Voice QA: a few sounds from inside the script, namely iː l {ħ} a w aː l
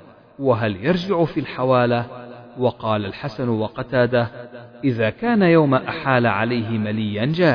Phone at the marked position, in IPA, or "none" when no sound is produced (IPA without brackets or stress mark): ħ